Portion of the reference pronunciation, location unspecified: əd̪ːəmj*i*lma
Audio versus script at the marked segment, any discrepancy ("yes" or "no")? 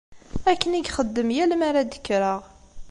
yes